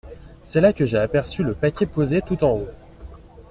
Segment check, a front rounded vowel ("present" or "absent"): present